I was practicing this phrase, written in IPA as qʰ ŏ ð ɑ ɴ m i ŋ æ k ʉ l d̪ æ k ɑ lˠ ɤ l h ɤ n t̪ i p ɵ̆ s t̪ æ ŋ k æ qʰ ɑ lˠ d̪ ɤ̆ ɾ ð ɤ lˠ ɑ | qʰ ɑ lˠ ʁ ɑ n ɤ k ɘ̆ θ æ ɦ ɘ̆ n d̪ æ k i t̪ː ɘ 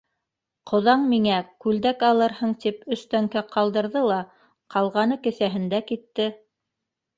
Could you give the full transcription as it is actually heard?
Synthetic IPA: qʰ ŏ ð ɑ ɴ m i ŋ æ k ʉ l d̪ æ k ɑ lˠ ɤ ɾ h ɤ ɴ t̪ i p ɵ̆ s t̪ æ ŋ k æ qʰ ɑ lˠ d̪ ɤ̆ ɾ ð ɤ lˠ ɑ | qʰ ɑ lˠ ʁ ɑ n ɤ k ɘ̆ θ æ ɦ ɘ̆ n d̪ æ k i t̪ː ɘ